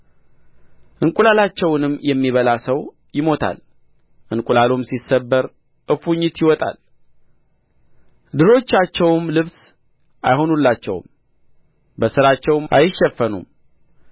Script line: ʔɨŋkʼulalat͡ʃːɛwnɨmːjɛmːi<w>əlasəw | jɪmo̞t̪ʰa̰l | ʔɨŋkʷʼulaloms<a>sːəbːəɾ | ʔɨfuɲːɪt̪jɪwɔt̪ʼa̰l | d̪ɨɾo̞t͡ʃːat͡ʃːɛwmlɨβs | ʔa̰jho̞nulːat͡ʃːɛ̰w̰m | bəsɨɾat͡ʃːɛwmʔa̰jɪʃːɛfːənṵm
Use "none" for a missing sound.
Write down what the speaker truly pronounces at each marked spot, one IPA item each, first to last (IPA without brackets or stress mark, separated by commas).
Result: β, i